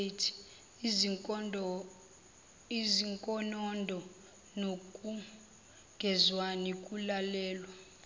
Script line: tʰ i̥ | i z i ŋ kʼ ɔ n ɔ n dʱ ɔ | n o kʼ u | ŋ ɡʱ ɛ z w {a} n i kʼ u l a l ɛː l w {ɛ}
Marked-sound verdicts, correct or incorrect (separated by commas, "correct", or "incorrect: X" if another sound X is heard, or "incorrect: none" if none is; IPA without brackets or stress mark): correct, incorrect: a